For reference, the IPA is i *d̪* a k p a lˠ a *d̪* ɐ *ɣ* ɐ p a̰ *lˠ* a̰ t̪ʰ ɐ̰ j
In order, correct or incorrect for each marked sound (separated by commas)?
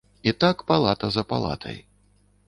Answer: incorrect, incorrect, incorrect, correct